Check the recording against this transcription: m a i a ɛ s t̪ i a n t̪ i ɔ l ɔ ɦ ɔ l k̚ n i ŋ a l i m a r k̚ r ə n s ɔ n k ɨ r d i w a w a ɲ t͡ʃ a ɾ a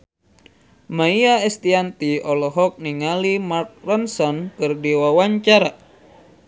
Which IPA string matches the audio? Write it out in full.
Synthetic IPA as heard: m a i a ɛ s t̪ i a n t̪ i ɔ l ɔ ɦ ɔ k̚ n i ŋ a l i m a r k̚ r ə n s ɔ n k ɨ r d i w a w a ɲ t͡ʃ a ɾ a